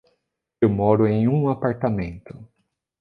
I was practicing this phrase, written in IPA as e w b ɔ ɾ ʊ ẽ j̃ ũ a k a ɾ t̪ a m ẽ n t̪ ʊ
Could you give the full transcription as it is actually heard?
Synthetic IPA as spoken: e w m ɔ ɾ ʊ ẽ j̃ ũ a p a ɾ t̪ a m ẽ n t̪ ʊ